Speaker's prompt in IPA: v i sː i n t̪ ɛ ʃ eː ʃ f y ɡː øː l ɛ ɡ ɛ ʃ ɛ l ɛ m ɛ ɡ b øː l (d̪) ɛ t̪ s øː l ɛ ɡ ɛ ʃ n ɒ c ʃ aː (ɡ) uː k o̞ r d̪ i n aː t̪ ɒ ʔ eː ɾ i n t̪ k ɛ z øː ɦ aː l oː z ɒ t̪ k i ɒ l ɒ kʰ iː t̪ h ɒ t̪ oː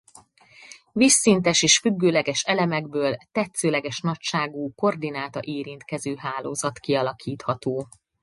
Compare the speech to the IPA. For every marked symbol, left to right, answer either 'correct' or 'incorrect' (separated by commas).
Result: incorrect, correct